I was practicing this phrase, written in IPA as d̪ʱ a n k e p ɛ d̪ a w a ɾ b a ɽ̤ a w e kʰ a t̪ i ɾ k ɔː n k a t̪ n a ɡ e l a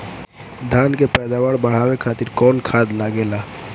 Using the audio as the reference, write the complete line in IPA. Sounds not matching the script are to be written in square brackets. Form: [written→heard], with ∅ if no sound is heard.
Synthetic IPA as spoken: d̪ʱ a n k e p ɛ d̪ a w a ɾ b [a→ə] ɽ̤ a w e kʰ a t̪ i ɾ k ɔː n [k→kʰ] a [t̪→d̪] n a ɡ e l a